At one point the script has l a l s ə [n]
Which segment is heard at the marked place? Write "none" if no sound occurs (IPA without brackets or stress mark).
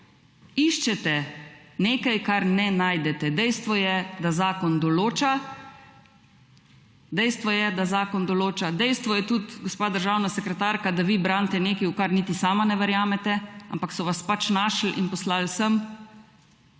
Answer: m